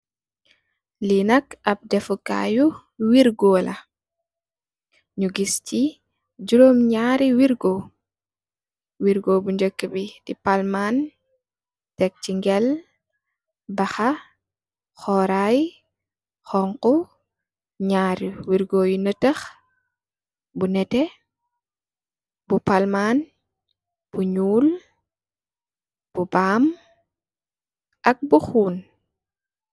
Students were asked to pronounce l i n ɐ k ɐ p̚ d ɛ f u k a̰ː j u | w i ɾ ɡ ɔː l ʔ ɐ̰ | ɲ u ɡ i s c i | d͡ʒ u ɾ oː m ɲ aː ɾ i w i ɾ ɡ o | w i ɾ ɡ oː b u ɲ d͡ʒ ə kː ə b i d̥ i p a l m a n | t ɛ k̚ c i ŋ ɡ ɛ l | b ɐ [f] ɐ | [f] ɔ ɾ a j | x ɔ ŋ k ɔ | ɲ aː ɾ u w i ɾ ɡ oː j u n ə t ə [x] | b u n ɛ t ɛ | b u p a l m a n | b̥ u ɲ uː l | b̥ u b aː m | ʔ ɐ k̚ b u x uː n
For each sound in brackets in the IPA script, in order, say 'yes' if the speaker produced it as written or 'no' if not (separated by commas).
no, no, yes